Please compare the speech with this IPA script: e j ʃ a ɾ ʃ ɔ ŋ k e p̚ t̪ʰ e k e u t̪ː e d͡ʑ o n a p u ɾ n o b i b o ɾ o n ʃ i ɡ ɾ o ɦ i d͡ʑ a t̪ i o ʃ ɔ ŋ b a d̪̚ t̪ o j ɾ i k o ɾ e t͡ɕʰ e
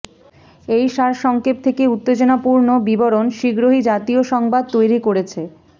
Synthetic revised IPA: e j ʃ a ɾ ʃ ɔ ŋ k e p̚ t̪ʰ e k e u t̪ː e d͡ʑ o n a p u ɾ n o b i b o ɾ o n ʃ i ɡ ɾ o ɦ i d͡ʑ a t̪ i o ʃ ɔ ŋ b a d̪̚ t̪ o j ɾ i k o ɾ e t͡ɕʰ e